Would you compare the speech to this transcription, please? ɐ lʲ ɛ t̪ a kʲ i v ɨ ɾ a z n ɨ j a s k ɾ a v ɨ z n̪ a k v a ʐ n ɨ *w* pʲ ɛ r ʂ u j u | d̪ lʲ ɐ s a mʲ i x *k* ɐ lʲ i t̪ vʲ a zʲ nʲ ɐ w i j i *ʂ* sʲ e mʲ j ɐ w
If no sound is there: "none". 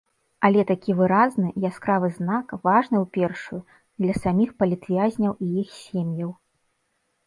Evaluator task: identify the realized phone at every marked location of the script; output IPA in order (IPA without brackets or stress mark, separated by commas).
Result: w, p, x